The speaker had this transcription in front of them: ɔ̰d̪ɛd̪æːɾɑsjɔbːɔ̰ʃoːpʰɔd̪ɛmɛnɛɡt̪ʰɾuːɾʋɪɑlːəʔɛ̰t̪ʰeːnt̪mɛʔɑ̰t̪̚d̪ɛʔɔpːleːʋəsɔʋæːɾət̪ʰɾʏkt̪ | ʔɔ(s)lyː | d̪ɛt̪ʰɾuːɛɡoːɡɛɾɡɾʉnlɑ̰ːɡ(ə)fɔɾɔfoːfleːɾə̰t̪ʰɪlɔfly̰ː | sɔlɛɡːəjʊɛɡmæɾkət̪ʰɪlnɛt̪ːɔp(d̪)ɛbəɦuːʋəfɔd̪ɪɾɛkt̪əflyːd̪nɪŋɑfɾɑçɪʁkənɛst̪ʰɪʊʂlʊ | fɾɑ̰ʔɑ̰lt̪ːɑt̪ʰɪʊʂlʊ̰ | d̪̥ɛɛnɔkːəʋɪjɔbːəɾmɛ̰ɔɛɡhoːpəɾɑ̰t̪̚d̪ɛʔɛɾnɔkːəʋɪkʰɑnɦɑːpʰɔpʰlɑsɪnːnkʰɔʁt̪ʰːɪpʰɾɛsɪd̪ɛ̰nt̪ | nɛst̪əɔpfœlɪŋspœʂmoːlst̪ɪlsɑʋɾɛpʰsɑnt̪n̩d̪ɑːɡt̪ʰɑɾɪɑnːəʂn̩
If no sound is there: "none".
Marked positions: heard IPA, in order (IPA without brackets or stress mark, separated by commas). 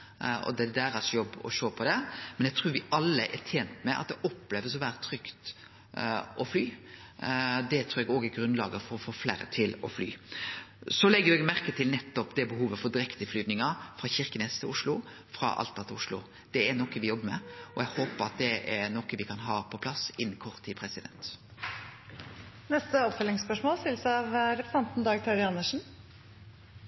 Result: f, ə, d̪